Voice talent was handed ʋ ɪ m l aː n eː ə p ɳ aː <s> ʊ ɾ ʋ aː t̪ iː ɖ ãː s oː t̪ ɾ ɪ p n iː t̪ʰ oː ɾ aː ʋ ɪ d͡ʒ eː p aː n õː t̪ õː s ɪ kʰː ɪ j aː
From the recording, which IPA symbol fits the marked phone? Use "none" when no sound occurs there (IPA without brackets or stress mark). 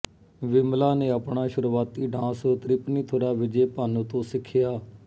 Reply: ʃ